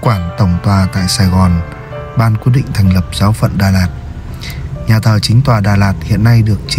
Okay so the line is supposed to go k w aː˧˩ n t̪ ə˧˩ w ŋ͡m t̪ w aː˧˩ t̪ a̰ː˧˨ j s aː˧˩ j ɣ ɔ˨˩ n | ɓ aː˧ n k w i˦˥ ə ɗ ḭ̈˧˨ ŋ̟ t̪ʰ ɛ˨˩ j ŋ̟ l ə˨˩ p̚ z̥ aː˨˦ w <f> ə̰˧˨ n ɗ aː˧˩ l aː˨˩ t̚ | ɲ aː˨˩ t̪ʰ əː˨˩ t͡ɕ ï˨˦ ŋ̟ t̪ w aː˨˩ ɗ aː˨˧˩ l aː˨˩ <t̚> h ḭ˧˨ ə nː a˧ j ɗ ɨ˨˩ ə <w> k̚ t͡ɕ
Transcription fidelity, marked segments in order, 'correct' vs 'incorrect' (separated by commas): correct, correct, incorrect